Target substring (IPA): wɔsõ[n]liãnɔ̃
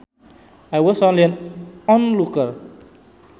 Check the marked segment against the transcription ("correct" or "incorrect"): correct